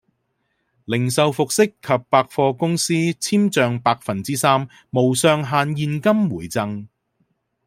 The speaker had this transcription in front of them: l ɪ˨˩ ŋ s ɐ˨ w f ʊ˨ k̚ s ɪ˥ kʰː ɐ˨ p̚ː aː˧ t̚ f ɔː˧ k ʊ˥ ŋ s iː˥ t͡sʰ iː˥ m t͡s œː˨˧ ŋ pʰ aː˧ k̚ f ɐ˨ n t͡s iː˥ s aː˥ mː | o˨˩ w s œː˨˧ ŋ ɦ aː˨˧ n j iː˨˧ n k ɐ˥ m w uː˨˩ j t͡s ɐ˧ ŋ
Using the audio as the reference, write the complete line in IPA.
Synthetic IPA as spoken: l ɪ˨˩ ŋ s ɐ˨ w f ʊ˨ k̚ s ɪ˥ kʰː ɐ˨ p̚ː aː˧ k̚ f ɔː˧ k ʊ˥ ŋ s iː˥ t͡sʰ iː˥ m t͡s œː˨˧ ŋ p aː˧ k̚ f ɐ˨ n t͡s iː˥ s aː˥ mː | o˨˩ w s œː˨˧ ŋ ɦ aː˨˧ n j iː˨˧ n k ɐ˥ m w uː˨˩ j t͡s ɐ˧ ŋ